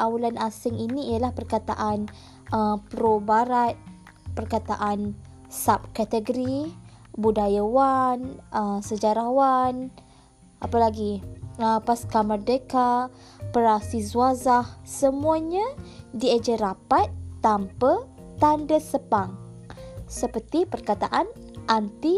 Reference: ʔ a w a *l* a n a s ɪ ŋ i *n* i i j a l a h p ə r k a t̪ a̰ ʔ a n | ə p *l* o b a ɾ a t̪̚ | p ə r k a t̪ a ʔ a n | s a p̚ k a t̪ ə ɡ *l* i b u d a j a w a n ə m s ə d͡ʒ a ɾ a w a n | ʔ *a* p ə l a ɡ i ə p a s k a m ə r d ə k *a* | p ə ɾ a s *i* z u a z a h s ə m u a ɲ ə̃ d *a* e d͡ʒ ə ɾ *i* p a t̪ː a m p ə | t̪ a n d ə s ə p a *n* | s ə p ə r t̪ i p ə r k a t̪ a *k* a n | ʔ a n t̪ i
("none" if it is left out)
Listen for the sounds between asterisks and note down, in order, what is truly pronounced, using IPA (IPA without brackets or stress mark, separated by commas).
l, n, ɾ, ɾ, a, a, i, i, a, ŋ, ʔ